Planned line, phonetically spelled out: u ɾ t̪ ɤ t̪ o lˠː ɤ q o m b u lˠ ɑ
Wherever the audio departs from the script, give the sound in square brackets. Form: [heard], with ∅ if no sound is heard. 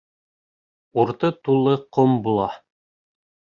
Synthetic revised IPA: u ɾ t̪ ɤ t̪ [u] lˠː ɤ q o m b u lˠ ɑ